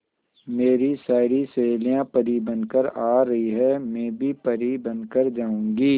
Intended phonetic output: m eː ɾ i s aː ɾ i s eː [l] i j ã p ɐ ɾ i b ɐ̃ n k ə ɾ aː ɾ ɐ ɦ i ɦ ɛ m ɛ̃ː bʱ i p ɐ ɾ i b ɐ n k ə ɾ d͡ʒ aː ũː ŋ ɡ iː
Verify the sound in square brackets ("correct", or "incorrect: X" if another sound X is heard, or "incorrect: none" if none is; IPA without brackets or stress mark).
correct